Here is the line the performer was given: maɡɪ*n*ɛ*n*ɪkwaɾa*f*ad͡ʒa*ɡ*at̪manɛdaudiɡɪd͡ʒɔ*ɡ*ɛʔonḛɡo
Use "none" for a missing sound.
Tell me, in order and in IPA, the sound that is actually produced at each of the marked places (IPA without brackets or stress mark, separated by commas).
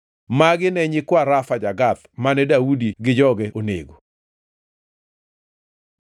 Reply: n, ɲ, f, ɡ, ɡ